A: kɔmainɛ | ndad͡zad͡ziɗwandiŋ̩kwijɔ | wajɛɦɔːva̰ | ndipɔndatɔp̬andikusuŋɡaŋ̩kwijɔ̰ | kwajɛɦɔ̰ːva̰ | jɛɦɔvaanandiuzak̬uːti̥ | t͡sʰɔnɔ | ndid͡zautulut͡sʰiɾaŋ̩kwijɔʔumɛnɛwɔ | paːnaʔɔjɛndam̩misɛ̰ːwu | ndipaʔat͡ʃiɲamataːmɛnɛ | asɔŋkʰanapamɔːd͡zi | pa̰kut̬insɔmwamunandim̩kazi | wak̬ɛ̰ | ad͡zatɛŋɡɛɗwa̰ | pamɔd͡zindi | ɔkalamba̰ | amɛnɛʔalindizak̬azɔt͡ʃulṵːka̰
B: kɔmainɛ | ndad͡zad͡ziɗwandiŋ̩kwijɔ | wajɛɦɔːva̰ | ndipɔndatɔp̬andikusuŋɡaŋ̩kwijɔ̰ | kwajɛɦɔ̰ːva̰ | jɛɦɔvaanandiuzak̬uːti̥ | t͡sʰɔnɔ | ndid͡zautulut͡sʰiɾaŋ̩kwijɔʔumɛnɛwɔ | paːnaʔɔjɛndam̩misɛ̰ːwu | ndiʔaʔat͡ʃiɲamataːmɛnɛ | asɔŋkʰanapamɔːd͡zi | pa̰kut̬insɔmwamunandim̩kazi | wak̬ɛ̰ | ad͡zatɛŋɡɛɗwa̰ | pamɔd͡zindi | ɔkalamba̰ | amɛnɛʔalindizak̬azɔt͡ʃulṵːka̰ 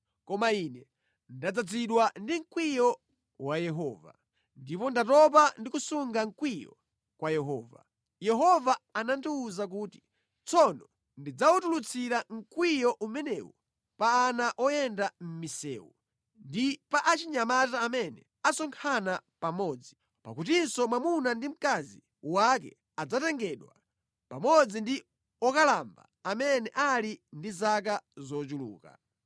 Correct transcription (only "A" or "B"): A